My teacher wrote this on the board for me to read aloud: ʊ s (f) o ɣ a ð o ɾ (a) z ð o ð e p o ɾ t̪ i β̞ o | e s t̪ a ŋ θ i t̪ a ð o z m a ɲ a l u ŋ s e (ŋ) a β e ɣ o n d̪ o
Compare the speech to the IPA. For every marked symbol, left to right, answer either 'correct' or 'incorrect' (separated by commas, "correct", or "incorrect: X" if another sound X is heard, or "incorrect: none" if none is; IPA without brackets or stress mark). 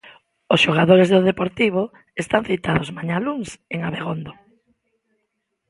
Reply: incorrect: ʃ, incorrect: e, correct